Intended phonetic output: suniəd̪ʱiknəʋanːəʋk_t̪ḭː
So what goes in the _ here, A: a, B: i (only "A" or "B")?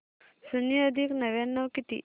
B